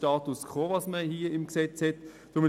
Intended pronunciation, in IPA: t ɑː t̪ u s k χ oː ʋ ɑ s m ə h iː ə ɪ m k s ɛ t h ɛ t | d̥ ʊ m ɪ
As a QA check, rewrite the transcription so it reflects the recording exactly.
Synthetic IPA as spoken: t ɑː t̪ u s k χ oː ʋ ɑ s m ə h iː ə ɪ m k s ɛ t͡s h ɛ t | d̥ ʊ m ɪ

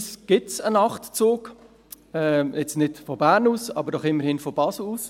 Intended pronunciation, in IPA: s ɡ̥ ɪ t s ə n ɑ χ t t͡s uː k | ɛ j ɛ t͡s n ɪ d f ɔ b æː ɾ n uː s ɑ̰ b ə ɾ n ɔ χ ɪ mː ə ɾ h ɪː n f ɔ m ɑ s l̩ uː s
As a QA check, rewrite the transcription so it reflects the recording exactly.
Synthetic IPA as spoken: s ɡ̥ ɪ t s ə n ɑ χ t t͡s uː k | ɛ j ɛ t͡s n ɪ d f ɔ b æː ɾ n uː s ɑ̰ b ə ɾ d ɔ χ ɪ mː ə ɾ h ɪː n f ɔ b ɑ s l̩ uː s

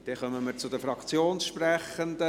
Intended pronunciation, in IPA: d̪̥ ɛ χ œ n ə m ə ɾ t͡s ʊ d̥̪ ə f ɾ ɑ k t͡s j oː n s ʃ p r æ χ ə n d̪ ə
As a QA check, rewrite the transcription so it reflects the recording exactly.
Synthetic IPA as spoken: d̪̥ ɛ χ œ m ə m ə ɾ t͡s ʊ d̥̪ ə f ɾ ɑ k t͡s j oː n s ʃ p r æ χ ə n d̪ ə

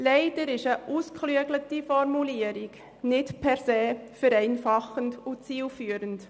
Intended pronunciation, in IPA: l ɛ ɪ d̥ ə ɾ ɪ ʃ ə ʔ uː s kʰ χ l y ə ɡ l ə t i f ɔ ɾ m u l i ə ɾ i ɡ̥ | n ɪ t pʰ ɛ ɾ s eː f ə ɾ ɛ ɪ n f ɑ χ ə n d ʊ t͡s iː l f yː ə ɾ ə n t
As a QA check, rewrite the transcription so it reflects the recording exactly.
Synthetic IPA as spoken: l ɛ ɪ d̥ ə ɾ ɪ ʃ ə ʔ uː s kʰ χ l y ə ɡ l ə t i f ɔ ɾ m u l i ə ɾ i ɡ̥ | n ɪ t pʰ ɛ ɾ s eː f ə ɾ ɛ ɪ n f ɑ χ ə n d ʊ t͡s iː l f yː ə ɾ ə n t

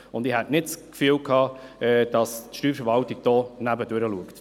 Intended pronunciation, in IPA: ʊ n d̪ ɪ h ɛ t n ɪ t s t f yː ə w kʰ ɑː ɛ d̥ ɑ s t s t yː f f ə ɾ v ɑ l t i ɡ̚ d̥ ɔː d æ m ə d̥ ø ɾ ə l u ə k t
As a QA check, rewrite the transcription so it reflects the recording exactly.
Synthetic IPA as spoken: ʊ n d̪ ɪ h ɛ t n ɪ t s k f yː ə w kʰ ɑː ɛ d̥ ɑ s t ʃ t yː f f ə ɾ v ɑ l t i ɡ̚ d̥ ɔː n æ b ə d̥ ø ɾ ə l u ə k t

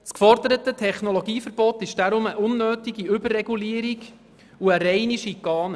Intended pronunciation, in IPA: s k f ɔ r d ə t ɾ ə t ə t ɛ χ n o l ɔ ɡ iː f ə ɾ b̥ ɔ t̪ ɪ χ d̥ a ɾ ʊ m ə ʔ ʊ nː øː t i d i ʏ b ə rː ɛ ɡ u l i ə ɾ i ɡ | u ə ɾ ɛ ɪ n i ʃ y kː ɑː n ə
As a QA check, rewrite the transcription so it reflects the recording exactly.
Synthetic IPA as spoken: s k f ɔ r d ə ɾ ə t ə tʰ ɛ χ n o l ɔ ɡ iː f ə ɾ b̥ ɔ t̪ ɪ ʃ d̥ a ɾ ʊ m ə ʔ ʊ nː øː t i ɡ i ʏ b ə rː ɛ ɡ u l i ə ɾ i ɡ | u ə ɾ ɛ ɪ n i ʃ i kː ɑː n ə

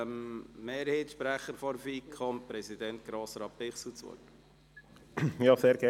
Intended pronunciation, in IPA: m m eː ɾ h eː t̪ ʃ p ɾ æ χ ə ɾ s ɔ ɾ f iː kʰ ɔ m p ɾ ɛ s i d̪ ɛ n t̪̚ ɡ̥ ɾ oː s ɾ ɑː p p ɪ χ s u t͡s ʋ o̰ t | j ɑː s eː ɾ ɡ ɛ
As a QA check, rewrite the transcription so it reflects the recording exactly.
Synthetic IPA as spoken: m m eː ɾ h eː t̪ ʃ p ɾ æ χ ə ɾ f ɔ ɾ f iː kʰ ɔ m p ɾ ɛ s i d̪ ɛ n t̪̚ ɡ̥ ɾ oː s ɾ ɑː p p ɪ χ s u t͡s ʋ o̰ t | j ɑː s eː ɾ ɡ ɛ

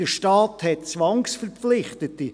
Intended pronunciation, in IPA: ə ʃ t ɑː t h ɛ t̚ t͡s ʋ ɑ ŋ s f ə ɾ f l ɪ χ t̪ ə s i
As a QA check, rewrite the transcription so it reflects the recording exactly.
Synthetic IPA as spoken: ə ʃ t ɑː t h ɛ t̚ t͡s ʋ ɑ ŋ s f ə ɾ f l ɪ χ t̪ ə t i

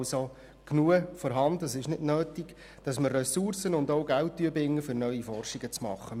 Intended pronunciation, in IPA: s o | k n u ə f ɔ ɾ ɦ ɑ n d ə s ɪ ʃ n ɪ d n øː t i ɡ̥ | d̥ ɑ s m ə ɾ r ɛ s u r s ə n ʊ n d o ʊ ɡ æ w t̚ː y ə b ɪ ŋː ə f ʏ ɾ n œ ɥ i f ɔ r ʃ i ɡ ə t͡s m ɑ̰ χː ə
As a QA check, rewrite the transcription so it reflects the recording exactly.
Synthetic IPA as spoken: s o | k n u ə f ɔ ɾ ɦ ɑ n d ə s ɪ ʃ n ɪ d n øː t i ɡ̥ | d̥ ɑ s m ə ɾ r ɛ s u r s ə n ʊ n d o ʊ ɡ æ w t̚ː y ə b ɪ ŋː ə f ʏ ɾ n œ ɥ i f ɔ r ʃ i ɡ ə t͡s m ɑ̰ χː ə

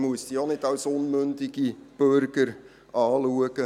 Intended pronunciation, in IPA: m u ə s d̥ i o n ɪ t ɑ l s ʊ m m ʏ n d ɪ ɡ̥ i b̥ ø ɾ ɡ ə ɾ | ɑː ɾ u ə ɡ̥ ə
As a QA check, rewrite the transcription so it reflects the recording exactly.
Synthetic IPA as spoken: m u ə s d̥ i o n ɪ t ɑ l s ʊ n m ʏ n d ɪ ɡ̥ i b̥ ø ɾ ɡ ə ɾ | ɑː l u ə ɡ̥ ə

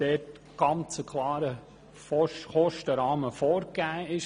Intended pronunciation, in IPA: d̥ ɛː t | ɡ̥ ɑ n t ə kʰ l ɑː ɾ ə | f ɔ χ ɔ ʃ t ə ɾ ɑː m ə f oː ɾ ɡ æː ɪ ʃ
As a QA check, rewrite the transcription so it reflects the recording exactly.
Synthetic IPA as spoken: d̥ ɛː t | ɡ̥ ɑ n t͡s ə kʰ l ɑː ɾ ə | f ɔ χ ɔ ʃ t ə ɾ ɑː m ə f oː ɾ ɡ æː ɪ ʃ

